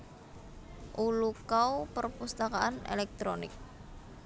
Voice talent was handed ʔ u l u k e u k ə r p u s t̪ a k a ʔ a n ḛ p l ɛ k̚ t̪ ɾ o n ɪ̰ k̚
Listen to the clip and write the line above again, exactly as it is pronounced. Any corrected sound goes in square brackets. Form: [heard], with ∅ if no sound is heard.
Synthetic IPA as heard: ʔ u l u k [a] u [p] ə r p u s t̪ a k a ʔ a n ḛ [∅] l ɛ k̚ t̪ ɾ o n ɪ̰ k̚